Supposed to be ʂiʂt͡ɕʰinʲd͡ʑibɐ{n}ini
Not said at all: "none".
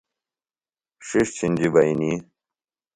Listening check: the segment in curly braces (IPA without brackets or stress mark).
none